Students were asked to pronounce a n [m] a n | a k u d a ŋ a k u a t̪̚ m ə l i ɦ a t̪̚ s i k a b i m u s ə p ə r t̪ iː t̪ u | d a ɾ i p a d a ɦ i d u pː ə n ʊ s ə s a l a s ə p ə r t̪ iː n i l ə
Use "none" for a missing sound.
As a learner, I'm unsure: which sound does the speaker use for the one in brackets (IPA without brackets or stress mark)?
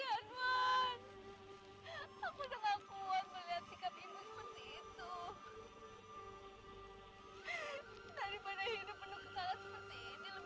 m